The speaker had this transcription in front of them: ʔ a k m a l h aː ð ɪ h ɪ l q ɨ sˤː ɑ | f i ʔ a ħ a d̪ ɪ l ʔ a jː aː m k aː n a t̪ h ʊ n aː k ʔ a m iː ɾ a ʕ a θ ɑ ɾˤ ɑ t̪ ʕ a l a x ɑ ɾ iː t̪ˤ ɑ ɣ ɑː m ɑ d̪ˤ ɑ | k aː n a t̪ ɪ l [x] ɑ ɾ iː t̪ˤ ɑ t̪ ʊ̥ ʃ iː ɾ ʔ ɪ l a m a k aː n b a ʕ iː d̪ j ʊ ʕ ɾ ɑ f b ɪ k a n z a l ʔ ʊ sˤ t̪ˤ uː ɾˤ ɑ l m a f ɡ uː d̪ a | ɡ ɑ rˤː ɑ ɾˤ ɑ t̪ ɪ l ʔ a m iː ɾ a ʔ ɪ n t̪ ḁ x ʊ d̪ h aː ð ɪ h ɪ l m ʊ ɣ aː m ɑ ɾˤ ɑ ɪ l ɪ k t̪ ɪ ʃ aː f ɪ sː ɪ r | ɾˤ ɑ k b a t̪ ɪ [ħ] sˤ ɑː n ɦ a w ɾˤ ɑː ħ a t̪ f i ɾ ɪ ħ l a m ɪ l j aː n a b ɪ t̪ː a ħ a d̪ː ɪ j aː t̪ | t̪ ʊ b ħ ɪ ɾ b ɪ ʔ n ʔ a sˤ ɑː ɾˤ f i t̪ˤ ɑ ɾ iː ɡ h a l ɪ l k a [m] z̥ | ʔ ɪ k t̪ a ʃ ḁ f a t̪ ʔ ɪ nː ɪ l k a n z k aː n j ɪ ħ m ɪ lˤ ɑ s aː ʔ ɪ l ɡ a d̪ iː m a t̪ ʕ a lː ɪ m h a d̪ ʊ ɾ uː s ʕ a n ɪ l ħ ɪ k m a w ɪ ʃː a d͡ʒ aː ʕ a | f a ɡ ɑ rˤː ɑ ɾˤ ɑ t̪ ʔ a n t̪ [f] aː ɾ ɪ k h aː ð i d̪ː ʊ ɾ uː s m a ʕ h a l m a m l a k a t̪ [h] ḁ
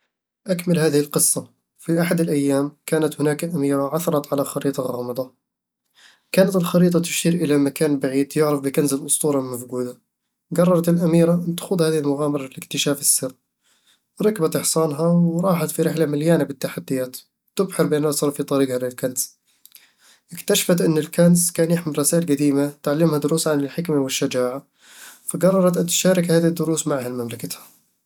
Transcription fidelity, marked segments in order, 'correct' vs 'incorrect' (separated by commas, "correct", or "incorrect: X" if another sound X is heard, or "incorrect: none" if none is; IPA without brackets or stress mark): correct, correct, incorrect: n, incorrect: ʃ, correct